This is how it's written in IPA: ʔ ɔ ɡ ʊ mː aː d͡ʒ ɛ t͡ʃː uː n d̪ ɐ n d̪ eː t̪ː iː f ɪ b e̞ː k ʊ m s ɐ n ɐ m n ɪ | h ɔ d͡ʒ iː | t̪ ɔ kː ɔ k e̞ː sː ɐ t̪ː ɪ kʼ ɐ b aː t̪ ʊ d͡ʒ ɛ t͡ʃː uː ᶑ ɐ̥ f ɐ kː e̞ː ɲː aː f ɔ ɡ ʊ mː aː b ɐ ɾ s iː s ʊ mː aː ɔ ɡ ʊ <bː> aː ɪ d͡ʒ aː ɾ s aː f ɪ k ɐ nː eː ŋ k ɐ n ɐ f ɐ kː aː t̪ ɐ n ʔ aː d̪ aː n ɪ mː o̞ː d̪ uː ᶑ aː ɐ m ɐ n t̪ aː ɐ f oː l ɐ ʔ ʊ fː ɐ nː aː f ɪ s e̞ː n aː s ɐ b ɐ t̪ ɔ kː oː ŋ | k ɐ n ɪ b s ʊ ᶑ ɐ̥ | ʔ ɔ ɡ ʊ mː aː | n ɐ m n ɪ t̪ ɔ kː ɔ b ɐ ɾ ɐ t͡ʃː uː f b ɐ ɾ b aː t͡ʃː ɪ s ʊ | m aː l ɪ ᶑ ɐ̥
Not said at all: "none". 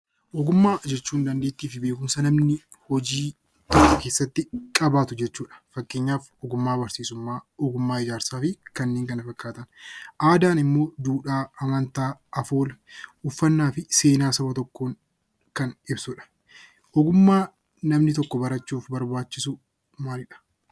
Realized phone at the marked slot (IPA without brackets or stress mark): mː